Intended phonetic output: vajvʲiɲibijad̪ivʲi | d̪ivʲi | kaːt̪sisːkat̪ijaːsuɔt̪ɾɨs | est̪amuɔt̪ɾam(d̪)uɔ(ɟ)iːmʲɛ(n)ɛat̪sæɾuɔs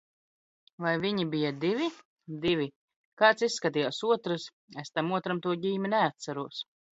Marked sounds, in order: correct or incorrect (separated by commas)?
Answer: incorrect, correct, correct